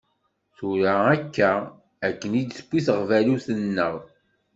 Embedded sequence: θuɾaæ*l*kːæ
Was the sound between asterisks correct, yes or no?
no